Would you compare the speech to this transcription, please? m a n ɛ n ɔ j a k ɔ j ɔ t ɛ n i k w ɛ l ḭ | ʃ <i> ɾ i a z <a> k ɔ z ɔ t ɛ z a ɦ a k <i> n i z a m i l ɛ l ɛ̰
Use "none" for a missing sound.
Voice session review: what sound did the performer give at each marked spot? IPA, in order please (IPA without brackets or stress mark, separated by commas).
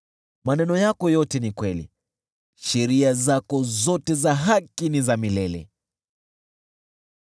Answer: ɛ, a, i